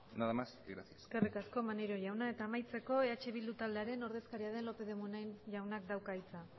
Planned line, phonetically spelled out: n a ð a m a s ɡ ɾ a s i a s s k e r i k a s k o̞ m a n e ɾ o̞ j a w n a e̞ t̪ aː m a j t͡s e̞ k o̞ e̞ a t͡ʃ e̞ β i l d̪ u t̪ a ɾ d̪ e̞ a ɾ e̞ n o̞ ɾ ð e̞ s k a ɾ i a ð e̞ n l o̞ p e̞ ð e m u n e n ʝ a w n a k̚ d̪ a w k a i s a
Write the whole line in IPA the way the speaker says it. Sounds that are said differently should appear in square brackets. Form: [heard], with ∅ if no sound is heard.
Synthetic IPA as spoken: n a ð a m a s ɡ ɾ a s i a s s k e r i k a s k o̞ m a n e ɾ o̞ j a w n a e̞ t̪ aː m a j t͡s e̞ k o̞ e̞ a t͡ʃ e̞ β i l d̪ u t̪ a [l] d̪ e̞ a ɾ e̞ n o̞ ɾ ð e̞ s k a ɾ i a ð e̞ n l o̞ p e̞ ð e m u n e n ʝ a w n a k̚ d̪ a w k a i [t͡s] a